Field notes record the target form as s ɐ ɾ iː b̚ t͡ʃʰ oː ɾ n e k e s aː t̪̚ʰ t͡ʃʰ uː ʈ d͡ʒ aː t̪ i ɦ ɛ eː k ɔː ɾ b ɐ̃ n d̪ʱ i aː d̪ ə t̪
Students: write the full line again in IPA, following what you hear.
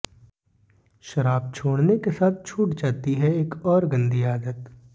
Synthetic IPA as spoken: ʃ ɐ ɾ aː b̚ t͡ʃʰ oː ɽ n e k e s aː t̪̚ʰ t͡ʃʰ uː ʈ d͡ʒ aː t̪ i ɦ ɛ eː k ɔː ɾ ɡ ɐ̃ n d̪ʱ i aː d̪ ə t̪

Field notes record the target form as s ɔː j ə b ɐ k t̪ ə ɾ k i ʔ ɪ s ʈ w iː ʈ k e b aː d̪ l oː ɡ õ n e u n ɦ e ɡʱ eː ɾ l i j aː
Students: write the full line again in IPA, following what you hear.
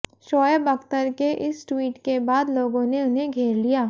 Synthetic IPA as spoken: ʃ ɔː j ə b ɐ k t̪ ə ɾ k e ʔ ɪ s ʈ w iː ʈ k e b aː d̪ l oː ɡ õ n e ʊ n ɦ e ɡʱ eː ɾ l i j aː

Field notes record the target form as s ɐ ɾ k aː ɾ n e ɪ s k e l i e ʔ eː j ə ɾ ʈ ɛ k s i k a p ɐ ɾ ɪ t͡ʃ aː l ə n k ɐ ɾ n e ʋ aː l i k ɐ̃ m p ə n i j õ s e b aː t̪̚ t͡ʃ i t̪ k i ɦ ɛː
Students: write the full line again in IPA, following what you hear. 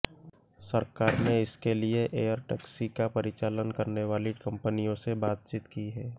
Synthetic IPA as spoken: s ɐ ɾ k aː ɾ n e ɪ s k e l i e ʔ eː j ə ɾ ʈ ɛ k s i k a p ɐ ɾ ɪ t͡ʃ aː l ə n k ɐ ɾ n e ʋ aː l i k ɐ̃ m p ə n i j õ s e b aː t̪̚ t͡ʃ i t̪ k i ɦ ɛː

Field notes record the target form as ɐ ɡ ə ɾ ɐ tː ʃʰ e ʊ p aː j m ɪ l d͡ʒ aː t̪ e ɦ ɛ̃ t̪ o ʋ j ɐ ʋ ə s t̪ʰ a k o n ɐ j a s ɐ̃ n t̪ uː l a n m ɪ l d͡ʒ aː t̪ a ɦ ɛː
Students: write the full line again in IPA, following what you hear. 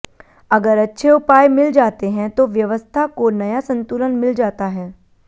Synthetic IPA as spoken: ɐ ɡ ə ɾ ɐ tː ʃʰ e ʊ p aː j m ɪ l d͡ʒ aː t̪ e ɦ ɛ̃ t̪ o ʋ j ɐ ʋ ə s t̪ʰ a k o n ɐ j a s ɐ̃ n t̪ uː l ə n m ɪ l d͡ʒ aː t̪ a ɦ ɛː

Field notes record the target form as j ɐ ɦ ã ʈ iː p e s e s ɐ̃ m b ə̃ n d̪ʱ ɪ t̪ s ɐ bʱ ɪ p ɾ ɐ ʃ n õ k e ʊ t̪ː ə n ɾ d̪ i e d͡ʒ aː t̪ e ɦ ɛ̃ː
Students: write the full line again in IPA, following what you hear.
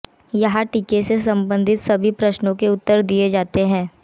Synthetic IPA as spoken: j ɐ ɦ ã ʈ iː k e s e s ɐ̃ m b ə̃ n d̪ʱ ɪ t̪ s ɐ bʱ i p ɾ ɐ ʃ n õ k e ʊ t̪ː ə ɾ d̪ i e d͡ʒ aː t̪ e ɦ ɛ̃ː

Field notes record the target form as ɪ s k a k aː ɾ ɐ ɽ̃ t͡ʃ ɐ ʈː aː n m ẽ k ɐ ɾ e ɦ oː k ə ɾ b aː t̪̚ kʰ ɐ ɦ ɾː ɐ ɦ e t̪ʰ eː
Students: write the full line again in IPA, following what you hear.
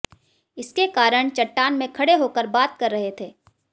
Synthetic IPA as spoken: ɪ s k e k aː ɾ ə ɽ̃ t͡ʃ ɐ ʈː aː n m ẽ kʰ ɐ ɽ e ɦ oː k ə ɾ b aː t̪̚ k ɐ ɾː ɐ ɦ e t̪ʰ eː

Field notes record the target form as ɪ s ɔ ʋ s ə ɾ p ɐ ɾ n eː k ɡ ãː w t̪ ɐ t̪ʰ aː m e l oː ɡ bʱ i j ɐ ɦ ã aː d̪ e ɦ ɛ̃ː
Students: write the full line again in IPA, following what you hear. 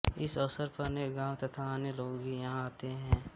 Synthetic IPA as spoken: ɪ s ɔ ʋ s ə ɾ p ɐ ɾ n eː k ɡ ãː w t̪ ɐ t̪ʰ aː n e l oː ɡ bʱ i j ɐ ɦ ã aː t̪ e ɦ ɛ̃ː

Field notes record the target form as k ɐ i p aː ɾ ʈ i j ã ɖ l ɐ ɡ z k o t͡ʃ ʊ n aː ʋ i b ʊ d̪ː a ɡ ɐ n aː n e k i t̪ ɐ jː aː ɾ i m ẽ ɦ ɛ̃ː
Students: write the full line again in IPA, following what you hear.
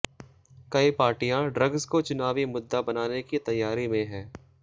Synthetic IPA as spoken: k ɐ i p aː ɾ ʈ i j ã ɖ ɾ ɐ ɡ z k o t͡ʃ ʊ n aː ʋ i m ʊ d̪ː a b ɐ n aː n e k i t̪ ɐ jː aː ɾ i m ẽ ɦ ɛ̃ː

